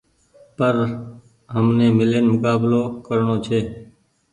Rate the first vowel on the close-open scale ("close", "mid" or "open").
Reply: mid